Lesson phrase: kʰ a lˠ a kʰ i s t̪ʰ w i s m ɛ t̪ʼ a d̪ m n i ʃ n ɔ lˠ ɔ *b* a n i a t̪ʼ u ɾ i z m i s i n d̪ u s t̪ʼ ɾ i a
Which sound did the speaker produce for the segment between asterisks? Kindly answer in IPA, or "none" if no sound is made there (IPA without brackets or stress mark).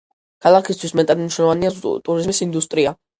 v